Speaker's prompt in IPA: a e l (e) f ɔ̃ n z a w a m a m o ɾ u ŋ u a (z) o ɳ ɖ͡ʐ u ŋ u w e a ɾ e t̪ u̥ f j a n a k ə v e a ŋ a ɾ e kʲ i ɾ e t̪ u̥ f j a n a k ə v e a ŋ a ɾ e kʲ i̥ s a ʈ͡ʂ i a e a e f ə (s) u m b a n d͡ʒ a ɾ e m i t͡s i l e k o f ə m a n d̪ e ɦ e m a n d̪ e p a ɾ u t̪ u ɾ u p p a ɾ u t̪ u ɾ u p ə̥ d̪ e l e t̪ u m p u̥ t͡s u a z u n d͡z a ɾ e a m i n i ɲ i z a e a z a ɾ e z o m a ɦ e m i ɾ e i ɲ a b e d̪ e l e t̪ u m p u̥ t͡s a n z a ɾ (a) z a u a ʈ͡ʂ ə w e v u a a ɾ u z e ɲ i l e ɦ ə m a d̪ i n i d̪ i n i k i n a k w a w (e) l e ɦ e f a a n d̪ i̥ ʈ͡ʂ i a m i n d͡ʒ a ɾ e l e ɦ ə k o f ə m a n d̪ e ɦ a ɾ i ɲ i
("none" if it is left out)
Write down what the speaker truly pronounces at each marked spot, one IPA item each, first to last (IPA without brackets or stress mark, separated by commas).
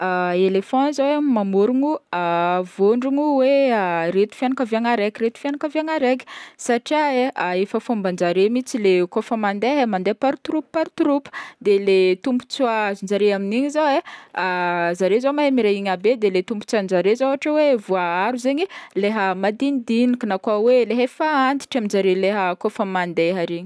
e, v, f, e, e